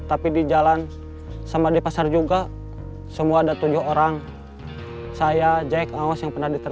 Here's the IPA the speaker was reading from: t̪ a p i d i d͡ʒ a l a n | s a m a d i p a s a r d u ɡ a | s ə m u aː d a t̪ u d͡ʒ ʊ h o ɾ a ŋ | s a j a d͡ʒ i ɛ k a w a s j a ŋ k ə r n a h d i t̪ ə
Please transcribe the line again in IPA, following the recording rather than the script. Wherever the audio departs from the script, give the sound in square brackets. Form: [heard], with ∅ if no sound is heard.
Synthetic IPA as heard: t̪ a p i d i d͡ʒ a l a n | s a m a d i p a s a r [d͡ʒ] u ɡ a | s ə m u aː d a t̪ u d͡ʒ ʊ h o ɾ a ŋ | s a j a d͡ʒ [a] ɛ k a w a s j a ŋ [p] ə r n a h d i t̪ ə